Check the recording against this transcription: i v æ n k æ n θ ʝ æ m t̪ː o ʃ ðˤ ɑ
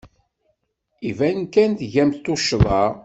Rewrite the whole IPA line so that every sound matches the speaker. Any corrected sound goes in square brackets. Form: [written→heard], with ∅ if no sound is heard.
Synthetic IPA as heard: i v æ n k æ n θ ʝ æ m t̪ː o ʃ ðˤ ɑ